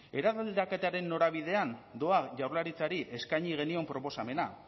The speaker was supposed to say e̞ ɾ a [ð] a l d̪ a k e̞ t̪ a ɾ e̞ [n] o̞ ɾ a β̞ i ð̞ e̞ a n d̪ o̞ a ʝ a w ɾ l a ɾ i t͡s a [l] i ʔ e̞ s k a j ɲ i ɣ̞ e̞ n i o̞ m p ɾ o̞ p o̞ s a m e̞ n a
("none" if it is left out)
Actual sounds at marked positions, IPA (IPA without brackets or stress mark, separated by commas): ð, nː, ɾ